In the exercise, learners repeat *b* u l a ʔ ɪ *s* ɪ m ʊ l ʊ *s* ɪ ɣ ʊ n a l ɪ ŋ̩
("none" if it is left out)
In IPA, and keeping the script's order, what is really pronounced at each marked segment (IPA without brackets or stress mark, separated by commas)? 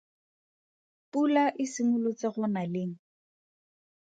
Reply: p, s, t͡s